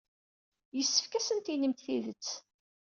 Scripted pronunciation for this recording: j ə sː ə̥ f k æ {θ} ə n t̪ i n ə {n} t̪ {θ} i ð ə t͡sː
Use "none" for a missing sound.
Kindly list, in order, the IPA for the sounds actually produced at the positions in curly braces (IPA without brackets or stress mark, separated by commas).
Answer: s, m, θ